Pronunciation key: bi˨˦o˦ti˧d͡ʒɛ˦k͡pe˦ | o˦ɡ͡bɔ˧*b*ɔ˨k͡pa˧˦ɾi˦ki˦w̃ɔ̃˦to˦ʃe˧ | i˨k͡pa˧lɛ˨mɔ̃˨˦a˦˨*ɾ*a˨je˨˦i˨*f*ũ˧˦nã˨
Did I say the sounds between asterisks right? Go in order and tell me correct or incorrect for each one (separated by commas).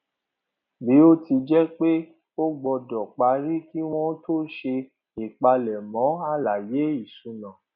incorrect, incorrect, incorrect